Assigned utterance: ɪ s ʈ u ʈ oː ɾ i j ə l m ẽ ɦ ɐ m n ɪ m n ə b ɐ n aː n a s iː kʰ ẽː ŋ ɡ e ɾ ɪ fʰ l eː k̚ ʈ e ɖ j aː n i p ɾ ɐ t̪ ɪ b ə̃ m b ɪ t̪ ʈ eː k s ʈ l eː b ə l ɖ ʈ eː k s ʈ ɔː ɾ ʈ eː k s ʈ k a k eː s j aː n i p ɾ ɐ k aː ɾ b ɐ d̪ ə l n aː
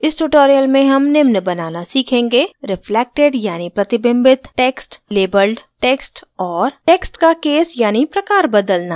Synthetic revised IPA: ɪ s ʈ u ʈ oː ɾ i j ə l m ẽ ɦ ɐ m n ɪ m n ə b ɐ n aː n a s iː kʰ ẽː ŋ ɡ e ɾ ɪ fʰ l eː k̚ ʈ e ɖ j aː n i p ɾ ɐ t̪ ɪ b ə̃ m b ɪ t̪ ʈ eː k s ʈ l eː b ə l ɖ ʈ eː k s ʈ ɔː ɾ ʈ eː k s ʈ k a k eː s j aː n i p ɾ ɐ k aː ɾ b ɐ d̪ ə l n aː